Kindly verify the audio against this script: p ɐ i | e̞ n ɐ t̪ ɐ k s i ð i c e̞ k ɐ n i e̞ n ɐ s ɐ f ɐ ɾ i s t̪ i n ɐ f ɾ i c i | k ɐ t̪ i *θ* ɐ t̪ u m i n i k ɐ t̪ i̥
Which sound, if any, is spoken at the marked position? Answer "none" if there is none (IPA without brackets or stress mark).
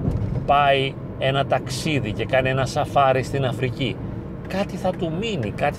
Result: θ